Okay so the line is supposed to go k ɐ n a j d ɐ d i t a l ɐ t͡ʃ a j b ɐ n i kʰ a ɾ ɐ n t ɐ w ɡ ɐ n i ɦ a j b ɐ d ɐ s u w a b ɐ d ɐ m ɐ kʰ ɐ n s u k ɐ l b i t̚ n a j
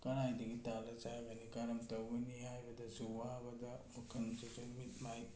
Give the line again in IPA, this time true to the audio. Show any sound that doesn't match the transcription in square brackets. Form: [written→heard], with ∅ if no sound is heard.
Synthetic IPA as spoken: k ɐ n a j d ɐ [d→ɡ] i t a l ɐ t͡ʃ a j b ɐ n i [kʰ→k] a ɾ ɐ [n→m] t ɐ w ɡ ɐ n i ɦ a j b ɐ d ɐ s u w a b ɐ d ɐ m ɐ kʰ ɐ n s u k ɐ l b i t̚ [n→m] a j